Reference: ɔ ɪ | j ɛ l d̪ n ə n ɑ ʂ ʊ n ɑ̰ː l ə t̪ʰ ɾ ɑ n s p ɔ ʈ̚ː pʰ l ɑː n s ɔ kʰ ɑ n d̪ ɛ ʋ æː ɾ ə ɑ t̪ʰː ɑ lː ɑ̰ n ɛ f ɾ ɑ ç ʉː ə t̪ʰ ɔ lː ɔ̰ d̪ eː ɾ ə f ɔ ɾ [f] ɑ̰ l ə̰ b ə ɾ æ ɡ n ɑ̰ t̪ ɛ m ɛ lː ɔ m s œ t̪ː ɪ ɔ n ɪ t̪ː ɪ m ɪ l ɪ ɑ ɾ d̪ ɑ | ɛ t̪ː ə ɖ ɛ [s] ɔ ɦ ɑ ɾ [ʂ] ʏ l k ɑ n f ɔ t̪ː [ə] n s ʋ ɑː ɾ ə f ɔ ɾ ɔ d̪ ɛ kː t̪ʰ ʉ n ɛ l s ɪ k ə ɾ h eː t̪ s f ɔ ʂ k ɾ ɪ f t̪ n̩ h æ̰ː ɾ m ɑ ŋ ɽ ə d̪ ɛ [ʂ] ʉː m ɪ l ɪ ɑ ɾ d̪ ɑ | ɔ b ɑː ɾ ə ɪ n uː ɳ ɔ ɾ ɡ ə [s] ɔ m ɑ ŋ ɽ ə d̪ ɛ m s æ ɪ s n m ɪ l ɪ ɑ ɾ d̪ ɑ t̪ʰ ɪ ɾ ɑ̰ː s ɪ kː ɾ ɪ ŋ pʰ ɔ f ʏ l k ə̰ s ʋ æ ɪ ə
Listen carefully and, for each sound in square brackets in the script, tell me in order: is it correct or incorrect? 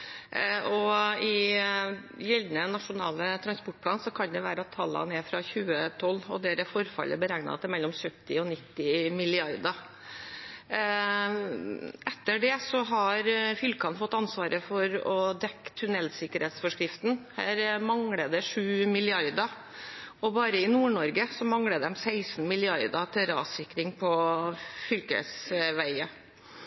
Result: correct, correct, incorrect, incorrect, correct, correct

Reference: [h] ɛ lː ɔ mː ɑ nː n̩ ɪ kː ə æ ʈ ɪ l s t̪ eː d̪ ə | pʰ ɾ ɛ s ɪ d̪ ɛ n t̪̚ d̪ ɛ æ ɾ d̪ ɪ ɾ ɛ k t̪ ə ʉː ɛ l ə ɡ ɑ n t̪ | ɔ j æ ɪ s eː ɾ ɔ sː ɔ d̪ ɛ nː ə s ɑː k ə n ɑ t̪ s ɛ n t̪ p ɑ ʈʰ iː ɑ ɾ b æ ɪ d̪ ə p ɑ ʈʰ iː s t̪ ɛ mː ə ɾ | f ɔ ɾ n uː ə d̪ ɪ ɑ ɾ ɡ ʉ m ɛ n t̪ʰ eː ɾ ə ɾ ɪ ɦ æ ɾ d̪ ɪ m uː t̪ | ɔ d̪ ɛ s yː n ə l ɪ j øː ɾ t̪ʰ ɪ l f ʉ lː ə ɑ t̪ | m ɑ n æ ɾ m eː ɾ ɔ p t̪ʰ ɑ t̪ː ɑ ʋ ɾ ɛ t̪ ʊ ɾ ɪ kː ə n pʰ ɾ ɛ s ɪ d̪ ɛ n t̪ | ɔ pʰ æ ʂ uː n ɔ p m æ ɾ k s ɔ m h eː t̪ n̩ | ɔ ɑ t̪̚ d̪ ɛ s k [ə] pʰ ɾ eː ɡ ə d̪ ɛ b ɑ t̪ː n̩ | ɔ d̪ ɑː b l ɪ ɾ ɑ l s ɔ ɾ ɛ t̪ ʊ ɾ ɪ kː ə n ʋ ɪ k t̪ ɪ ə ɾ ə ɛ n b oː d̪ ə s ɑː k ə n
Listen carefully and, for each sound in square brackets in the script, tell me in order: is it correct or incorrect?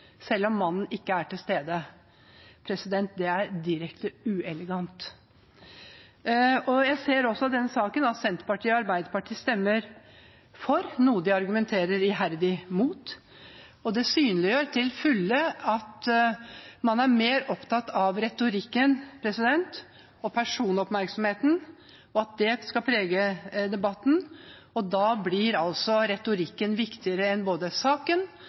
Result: incorrect, incorrect

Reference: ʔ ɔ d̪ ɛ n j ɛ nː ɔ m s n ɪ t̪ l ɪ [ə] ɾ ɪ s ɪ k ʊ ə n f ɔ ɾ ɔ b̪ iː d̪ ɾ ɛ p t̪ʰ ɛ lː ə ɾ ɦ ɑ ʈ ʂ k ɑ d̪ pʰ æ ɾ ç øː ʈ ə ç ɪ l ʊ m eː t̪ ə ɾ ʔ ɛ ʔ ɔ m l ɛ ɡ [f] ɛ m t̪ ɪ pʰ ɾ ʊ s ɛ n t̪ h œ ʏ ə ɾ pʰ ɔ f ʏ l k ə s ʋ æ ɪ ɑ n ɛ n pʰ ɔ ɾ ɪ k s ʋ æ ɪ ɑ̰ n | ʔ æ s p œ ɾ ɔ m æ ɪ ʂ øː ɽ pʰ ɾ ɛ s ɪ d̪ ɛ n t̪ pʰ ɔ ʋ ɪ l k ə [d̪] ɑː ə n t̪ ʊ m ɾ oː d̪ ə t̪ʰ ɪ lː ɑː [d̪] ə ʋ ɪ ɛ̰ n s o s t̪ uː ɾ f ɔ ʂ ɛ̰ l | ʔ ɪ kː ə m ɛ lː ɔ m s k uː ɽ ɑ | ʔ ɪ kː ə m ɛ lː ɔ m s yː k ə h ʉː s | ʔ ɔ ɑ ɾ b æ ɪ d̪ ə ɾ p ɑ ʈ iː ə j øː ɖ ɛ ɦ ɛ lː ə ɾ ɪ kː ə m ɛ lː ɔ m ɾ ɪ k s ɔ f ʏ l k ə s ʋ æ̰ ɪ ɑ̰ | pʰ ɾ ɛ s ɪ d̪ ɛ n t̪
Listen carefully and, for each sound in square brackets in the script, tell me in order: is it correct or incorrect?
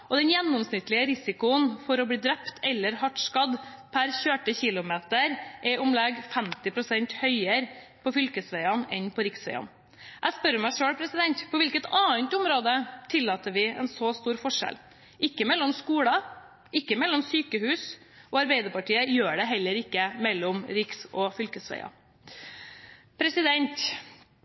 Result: correct, correct, incorrect, incorrect

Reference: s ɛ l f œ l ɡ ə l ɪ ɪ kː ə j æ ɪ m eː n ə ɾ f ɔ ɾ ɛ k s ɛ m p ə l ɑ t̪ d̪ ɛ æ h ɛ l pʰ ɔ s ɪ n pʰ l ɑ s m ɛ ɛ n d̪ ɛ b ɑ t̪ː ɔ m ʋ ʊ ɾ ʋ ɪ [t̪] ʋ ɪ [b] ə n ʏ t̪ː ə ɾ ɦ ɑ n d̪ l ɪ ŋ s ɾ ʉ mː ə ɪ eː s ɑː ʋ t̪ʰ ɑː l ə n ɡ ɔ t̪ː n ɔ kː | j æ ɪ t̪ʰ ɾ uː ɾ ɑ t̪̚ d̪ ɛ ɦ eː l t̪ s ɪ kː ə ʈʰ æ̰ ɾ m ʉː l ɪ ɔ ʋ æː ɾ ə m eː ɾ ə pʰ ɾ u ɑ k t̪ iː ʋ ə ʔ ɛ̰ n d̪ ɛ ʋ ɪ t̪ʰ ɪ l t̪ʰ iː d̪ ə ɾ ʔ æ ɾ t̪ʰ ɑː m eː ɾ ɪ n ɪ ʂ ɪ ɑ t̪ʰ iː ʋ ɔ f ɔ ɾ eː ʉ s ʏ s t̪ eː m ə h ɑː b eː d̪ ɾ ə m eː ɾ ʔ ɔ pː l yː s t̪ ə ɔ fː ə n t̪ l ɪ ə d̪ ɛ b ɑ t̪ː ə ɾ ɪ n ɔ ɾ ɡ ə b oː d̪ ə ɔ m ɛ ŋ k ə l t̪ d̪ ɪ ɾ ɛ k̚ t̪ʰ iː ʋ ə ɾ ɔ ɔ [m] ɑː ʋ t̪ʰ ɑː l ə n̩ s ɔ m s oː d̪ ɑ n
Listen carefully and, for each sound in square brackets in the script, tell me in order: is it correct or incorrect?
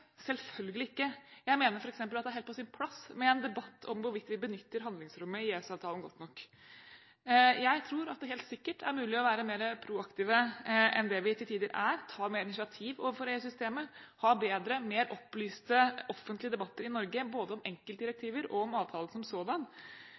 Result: correct, correct, correct

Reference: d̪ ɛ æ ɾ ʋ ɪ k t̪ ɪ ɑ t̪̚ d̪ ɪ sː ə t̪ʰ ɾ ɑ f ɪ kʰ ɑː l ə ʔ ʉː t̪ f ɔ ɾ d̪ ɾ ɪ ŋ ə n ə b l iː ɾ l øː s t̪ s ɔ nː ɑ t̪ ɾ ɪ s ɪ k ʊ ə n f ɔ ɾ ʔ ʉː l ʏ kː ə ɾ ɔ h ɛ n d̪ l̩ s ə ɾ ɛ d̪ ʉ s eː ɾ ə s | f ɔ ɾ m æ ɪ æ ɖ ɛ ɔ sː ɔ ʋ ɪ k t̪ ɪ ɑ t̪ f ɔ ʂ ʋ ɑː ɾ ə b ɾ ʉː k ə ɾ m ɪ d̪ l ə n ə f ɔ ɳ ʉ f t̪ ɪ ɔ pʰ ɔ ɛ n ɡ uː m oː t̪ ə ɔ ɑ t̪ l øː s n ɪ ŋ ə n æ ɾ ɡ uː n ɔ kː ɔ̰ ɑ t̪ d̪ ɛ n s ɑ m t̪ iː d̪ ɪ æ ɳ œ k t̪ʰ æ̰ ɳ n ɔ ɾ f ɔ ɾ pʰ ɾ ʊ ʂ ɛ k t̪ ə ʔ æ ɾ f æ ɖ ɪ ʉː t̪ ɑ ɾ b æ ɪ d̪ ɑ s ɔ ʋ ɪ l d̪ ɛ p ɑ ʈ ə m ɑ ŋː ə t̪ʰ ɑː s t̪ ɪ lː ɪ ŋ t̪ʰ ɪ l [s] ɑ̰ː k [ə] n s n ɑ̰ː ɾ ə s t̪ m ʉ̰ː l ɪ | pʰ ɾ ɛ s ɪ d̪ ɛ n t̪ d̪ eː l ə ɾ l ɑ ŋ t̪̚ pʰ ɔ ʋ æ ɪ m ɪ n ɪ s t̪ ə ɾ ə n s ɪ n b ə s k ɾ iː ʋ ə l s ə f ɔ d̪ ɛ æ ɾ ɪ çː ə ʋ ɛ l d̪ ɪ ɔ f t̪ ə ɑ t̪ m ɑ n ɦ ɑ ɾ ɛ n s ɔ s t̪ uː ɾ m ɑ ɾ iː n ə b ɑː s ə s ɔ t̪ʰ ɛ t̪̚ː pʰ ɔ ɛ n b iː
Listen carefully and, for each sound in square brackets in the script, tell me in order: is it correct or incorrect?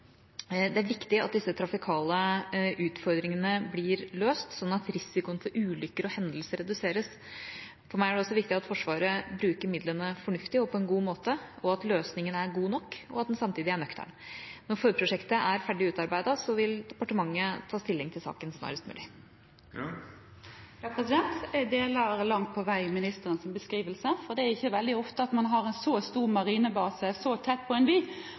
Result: correct, correct

